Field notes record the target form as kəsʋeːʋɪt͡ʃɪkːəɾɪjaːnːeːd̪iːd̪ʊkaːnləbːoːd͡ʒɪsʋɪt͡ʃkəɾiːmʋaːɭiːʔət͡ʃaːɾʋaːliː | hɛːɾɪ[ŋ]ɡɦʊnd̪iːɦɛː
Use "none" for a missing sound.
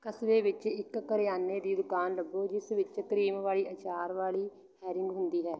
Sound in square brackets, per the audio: ŋ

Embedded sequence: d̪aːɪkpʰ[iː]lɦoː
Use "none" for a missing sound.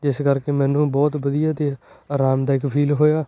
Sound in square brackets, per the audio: iː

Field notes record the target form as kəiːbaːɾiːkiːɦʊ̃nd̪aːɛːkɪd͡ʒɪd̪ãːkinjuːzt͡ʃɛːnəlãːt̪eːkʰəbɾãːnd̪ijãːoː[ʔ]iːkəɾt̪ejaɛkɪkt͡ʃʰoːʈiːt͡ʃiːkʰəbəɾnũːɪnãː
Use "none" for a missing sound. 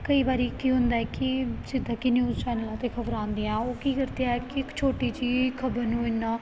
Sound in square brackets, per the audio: k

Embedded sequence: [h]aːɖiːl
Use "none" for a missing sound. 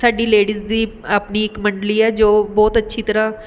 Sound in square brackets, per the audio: s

